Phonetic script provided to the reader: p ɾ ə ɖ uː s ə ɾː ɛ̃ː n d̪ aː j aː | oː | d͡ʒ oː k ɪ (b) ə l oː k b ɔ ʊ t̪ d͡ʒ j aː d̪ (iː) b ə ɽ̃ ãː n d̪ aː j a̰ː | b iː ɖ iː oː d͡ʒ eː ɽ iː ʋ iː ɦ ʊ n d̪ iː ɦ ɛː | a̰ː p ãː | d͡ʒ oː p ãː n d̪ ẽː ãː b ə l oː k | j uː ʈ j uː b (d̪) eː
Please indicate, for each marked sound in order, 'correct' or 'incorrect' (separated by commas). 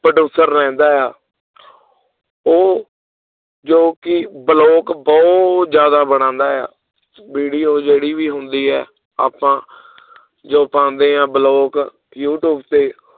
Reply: correct, incorrect, incorrect